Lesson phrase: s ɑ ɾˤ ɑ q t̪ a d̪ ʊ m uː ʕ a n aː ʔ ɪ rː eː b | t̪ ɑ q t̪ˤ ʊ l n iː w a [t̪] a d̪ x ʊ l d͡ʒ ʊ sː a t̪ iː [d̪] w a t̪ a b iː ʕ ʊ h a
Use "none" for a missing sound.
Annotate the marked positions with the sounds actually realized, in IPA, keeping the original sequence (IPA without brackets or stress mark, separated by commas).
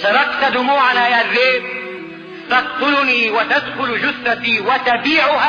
t̪, none